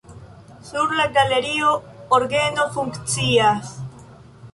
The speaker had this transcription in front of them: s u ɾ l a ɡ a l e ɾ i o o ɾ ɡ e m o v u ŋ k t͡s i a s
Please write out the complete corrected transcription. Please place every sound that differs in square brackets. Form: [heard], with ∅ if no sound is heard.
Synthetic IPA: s u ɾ l a ɡ a l e ɾ i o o ɾ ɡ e [n] o [f] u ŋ k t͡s i a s